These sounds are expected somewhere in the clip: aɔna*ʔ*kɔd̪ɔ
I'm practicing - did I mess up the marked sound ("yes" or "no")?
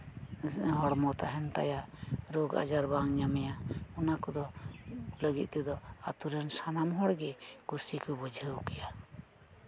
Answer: yes